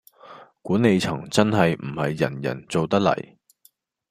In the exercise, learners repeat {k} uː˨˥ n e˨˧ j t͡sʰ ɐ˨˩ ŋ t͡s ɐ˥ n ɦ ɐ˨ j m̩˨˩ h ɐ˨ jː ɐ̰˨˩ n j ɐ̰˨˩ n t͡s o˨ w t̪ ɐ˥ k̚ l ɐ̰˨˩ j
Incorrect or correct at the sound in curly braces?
correct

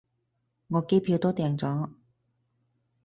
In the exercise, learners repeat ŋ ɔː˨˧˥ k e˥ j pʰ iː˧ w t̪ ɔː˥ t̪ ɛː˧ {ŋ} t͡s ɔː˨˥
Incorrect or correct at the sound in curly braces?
correct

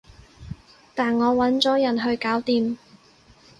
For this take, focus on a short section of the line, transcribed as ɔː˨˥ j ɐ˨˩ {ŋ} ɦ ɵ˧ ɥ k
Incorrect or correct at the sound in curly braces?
incorrect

